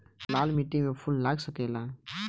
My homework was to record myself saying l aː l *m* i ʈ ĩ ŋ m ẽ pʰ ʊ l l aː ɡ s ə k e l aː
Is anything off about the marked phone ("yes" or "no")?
no